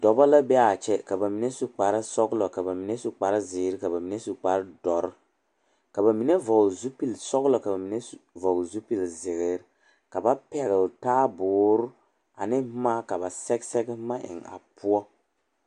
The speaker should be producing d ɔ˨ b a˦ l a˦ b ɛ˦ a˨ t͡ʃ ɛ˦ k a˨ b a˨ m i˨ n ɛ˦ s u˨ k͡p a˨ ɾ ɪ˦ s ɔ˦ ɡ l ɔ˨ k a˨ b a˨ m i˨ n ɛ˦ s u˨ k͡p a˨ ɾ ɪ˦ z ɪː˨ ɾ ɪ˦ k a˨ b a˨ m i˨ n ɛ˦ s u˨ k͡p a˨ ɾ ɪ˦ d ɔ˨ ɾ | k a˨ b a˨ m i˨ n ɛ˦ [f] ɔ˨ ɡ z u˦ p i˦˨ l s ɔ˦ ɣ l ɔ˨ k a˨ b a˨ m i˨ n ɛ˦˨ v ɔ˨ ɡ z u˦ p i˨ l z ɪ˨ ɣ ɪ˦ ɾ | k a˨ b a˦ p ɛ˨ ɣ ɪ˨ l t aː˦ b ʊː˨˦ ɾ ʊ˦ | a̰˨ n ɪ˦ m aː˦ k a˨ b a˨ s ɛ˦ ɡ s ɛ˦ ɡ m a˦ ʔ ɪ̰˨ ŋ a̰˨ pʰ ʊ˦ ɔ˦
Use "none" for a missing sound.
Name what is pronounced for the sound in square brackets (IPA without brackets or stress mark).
v